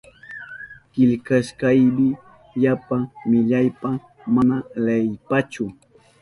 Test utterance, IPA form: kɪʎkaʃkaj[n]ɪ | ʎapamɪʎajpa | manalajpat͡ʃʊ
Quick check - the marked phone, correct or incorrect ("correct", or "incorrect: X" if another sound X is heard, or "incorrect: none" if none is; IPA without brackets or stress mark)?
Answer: incorrect: m